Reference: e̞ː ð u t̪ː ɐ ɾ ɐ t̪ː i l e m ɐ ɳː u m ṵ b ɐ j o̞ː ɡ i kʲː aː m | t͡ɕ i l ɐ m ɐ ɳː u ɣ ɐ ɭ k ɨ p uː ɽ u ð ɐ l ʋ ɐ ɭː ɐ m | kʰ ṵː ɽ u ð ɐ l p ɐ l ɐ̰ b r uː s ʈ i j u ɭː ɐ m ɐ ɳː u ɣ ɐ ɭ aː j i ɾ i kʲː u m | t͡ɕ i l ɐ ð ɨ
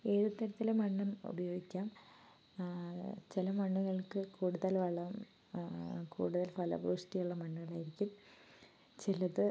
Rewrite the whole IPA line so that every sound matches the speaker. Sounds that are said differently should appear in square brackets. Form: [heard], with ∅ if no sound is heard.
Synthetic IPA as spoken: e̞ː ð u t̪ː ɐ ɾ ɐ t̪ː i l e m ɐ ɳː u m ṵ b ɐ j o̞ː ɡ i kʲː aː m | t͡ɕ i l ɐ m ɐ ɳː u ɣ ɐ ɭ k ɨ [k] uː ɽ u ð ɐ l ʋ ɐ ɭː ɐ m | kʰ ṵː ɽ u ð ɐ l p ɐ l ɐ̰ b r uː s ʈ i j u ɭː ɐ m ɐ ɳː u ɣ ɐ ɭ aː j i ɾ i kʲː u m | t͡ɕ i l ɐ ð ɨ